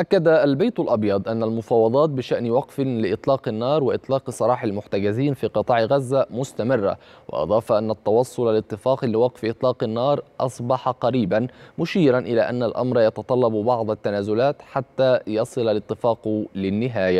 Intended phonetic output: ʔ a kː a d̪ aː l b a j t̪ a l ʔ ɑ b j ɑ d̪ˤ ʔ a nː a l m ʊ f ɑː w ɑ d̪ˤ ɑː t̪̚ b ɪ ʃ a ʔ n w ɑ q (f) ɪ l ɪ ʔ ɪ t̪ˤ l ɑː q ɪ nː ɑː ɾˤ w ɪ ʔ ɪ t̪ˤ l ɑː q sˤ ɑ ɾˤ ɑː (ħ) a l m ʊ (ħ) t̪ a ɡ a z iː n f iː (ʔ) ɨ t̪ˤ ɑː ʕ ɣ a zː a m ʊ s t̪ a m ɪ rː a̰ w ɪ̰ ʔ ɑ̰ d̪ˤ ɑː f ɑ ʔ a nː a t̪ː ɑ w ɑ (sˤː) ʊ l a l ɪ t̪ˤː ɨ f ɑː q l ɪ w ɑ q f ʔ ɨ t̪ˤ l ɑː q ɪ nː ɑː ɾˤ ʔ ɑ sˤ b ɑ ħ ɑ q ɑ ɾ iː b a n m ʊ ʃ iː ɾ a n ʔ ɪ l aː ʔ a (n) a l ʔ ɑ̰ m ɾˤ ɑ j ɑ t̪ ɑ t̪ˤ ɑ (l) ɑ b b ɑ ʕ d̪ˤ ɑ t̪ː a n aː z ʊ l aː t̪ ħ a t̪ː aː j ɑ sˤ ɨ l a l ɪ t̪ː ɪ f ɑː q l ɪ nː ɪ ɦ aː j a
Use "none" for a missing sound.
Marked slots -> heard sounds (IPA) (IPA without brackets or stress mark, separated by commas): f, ħ, ħ, q, sˤː, nː, lː